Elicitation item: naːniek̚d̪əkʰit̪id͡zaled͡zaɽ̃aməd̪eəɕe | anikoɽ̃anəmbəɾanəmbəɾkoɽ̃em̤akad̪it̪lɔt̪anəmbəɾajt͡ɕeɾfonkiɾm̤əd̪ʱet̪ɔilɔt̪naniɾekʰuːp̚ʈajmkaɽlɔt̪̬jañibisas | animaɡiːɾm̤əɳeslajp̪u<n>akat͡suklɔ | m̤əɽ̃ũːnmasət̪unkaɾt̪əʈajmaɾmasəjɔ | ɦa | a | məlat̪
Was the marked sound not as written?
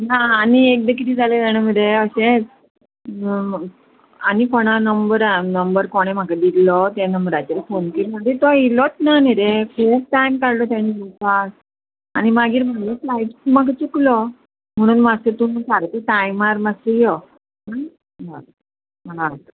yes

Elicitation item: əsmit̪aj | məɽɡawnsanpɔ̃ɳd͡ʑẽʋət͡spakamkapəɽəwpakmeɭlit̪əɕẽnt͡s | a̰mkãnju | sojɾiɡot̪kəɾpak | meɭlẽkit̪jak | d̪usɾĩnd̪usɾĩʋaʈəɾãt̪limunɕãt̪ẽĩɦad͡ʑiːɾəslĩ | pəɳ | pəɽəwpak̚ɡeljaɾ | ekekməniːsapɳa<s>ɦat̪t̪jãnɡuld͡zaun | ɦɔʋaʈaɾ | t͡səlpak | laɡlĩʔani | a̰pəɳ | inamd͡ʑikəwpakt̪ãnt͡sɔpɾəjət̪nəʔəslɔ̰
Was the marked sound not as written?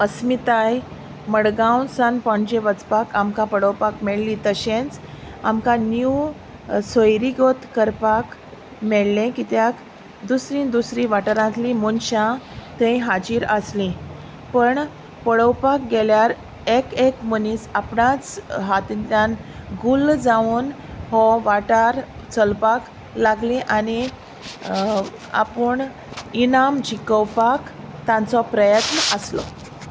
yes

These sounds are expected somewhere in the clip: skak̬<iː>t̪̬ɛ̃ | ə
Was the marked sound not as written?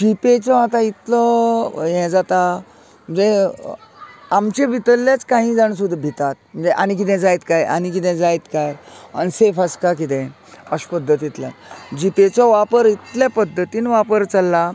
yes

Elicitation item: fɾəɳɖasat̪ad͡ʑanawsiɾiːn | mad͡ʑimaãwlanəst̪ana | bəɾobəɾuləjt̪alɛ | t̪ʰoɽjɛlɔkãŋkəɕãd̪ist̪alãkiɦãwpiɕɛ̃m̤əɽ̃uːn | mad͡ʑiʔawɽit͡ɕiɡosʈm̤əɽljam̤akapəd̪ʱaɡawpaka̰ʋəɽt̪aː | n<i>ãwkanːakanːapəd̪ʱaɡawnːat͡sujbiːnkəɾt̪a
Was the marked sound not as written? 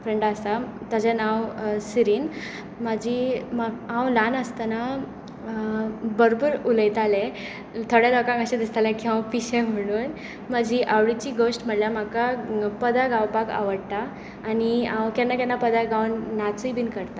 no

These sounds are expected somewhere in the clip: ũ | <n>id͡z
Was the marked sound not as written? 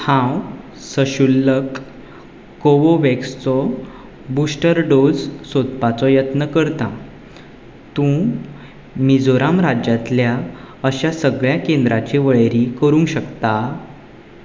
yes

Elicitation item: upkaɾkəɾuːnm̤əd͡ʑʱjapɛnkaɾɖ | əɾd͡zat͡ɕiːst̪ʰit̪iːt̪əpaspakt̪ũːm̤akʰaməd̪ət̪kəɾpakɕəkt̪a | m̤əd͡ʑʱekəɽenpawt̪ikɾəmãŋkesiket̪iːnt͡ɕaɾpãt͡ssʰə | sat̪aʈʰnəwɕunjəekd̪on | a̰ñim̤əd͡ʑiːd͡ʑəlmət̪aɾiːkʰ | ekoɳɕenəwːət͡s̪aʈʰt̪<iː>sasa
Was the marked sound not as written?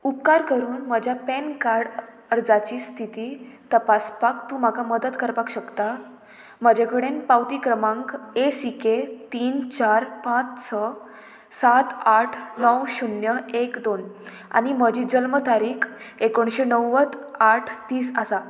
no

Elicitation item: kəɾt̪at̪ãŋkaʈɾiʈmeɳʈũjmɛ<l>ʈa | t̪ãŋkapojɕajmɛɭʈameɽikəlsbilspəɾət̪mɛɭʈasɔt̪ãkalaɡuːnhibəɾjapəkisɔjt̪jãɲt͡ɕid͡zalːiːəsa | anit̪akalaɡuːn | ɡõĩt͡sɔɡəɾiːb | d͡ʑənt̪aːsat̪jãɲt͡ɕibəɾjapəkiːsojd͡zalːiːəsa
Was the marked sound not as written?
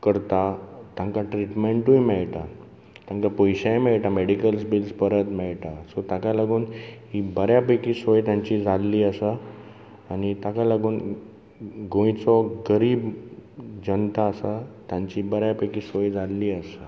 yes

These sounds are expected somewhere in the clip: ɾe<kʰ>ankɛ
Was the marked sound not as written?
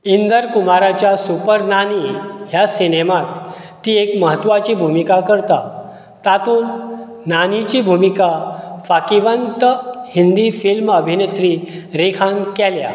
no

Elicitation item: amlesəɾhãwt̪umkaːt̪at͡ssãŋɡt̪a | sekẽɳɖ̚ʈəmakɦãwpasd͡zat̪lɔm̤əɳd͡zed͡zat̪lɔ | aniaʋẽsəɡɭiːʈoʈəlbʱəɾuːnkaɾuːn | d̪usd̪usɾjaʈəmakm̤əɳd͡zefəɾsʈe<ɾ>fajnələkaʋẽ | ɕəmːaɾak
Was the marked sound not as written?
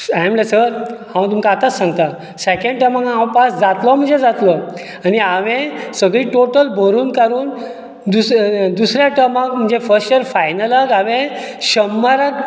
no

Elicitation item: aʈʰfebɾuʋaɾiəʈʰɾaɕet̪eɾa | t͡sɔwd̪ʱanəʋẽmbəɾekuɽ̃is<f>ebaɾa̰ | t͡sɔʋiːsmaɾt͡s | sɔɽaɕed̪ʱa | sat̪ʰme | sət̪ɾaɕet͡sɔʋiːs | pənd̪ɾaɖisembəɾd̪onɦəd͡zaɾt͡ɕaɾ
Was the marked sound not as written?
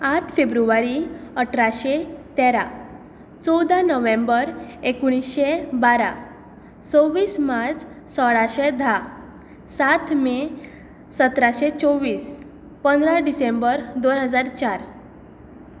yes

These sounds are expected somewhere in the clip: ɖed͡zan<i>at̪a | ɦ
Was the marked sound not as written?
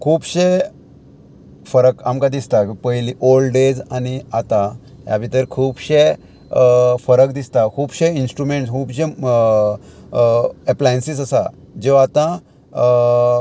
no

